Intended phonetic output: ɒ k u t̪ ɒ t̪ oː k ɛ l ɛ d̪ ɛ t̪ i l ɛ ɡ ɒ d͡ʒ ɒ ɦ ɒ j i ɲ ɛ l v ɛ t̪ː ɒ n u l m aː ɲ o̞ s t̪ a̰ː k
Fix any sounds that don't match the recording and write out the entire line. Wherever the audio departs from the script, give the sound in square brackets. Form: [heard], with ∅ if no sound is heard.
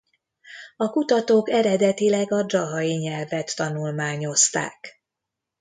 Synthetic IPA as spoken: ɒ k u t̪ ɒ t̪ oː k ɛ [ɾ] ɛ d̪ ɛ t̪ i l ɛ ɡ ɒ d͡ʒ ɒ ɦ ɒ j i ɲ ɛ l v ɛ t̪ː ɒ n u l m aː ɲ o̞ s t̪ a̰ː k